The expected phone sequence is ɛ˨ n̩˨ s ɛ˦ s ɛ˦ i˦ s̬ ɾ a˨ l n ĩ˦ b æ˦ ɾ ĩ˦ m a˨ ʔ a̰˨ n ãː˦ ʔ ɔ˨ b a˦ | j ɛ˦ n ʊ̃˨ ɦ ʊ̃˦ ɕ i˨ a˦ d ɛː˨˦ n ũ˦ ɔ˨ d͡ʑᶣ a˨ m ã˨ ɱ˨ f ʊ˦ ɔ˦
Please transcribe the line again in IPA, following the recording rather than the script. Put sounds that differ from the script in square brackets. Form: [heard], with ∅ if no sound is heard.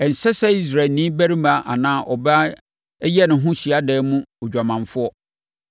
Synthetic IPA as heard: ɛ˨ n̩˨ s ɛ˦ s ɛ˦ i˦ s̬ ɾ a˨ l n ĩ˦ b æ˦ ɾ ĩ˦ m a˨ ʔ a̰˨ n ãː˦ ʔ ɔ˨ b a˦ | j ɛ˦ n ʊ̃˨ ɦ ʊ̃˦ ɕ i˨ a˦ d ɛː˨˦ [m] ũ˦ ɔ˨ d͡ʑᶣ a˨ m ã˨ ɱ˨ f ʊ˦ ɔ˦